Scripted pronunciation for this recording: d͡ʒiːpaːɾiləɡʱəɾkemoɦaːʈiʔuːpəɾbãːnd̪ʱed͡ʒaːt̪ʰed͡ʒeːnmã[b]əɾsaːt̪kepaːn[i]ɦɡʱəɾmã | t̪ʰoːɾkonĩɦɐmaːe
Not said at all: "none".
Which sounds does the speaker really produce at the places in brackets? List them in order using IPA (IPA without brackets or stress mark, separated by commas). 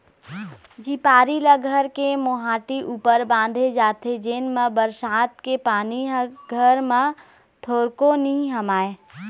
b, i